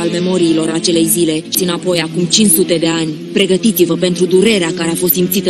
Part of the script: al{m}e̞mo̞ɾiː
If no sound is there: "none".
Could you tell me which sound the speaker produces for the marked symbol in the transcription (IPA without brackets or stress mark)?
m